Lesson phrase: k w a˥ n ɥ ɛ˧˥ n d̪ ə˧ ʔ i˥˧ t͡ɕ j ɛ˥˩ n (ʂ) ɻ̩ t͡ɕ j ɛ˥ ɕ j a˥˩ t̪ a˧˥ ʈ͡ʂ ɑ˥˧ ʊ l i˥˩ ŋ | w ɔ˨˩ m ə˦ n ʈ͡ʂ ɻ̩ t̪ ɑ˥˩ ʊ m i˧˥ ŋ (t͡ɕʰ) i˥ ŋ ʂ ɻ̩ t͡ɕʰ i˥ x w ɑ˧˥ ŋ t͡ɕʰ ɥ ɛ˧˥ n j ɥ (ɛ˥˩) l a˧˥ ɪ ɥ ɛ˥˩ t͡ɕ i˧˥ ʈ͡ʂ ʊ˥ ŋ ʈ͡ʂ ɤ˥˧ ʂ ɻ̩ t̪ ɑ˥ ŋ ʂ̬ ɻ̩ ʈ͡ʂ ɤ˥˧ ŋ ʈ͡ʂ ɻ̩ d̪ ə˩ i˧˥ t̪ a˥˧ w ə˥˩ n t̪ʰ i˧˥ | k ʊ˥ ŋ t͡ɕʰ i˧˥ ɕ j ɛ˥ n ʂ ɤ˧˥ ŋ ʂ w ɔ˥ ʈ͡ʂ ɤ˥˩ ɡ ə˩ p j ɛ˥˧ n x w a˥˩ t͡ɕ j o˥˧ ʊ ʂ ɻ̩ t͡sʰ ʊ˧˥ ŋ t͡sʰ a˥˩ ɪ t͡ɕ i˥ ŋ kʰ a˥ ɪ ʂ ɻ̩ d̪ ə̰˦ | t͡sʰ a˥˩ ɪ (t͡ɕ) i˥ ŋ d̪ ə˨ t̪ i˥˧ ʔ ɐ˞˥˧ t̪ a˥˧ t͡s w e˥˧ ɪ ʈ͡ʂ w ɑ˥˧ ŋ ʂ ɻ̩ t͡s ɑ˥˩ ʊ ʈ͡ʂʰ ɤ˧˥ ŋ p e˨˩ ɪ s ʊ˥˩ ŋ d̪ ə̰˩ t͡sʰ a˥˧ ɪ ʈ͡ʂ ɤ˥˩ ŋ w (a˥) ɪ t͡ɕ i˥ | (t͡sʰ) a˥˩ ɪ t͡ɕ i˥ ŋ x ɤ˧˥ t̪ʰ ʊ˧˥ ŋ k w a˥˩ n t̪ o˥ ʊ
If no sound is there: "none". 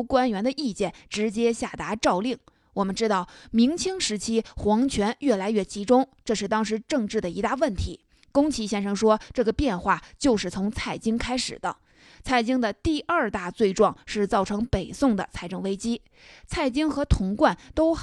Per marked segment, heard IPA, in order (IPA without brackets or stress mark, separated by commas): ʈ͡ʂ, t͡ɕʰ, ɛ˥˩, t͡ɕ, e˥, t͡sʰ